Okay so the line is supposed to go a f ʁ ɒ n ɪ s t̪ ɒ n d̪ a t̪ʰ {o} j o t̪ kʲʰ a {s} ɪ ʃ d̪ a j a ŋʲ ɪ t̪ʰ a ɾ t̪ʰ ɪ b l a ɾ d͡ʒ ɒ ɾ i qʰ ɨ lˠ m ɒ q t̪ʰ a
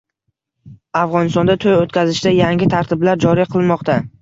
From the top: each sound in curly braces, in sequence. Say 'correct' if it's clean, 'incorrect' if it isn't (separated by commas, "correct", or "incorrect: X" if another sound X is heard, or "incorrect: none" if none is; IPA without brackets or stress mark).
correct, incorrect: z